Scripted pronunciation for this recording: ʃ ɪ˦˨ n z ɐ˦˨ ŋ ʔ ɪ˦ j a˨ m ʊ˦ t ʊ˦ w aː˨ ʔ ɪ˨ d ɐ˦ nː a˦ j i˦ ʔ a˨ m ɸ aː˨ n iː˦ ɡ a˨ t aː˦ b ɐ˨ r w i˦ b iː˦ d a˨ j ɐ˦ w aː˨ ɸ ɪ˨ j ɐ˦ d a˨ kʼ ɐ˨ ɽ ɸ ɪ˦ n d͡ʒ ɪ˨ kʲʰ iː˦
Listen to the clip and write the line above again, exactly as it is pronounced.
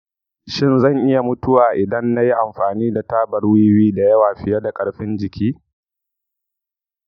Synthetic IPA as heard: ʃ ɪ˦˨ n z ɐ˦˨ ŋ ʔ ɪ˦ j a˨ m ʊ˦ t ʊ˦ w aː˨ ʔ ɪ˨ d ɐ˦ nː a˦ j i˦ ʔ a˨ m ɸ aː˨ n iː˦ d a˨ t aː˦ b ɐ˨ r w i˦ w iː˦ d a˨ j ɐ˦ w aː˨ ɸ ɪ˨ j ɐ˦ d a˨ kʼ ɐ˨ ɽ ɸ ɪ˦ n d͡ʒ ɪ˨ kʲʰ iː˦